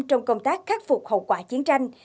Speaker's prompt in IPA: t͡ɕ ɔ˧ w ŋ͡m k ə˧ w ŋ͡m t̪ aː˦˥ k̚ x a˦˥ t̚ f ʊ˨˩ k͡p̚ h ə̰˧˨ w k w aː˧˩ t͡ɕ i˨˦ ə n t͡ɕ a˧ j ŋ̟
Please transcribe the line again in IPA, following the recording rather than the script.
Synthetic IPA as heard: t͡ɕ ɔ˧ w ŋ͡m k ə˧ w ŋ͡m t̪ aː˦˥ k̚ x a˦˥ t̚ f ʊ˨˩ k͡p̚ h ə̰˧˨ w k w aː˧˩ t͡ɕ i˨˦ ə n t͡ɕ a˧ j ŋ̟